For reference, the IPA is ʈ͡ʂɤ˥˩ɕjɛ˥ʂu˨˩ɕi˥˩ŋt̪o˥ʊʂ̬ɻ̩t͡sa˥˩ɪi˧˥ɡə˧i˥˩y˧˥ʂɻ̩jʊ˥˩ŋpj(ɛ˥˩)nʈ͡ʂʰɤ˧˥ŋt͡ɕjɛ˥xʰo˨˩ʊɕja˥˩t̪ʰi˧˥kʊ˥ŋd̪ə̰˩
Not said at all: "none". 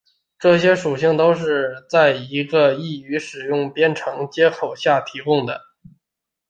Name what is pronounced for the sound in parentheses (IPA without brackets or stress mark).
ɛ˥